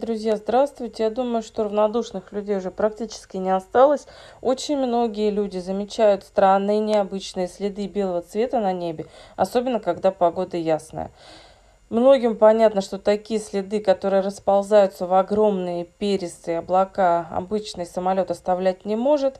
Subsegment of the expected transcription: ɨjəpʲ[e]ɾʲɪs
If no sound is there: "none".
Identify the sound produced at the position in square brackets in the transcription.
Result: e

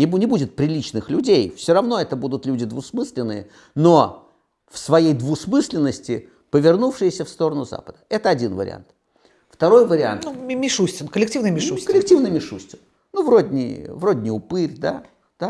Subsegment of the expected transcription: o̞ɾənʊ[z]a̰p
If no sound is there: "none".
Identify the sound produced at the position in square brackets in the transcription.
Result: z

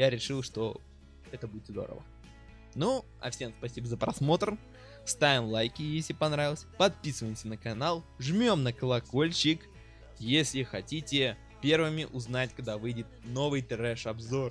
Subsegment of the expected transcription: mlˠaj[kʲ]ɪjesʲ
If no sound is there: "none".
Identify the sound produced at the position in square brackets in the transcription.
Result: kʲ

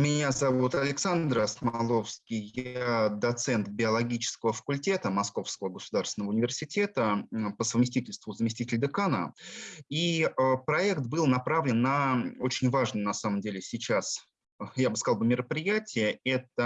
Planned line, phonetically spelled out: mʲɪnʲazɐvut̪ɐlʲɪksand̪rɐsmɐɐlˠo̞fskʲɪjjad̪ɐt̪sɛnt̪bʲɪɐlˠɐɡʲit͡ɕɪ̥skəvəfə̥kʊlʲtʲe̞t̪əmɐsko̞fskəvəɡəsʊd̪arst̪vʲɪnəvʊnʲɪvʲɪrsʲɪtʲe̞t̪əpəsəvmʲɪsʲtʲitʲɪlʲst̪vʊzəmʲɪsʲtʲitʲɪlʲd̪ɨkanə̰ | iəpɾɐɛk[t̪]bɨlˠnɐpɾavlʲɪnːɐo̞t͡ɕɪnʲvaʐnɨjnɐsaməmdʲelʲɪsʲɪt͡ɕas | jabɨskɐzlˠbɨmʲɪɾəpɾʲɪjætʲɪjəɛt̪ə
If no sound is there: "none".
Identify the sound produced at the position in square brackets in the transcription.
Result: t̪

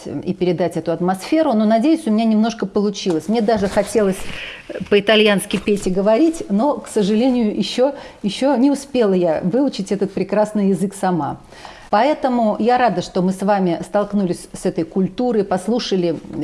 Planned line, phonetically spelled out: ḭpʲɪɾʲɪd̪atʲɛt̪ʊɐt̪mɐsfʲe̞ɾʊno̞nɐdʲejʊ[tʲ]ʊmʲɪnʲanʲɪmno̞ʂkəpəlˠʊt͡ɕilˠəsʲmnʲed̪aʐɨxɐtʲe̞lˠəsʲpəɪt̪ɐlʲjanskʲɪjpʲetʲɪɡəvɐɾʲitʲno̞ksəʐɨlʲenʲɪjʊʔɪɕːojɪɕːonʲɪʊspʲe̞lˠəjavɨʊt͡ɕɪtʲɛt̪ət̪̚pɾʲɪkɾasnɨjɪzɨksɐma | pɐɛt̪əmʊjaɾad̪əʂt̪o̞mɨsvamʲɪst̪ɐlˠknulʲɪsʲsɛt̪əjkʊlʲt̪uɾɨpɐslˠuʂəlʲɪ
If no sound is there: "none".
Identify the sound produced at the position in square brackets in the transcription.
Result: sʲ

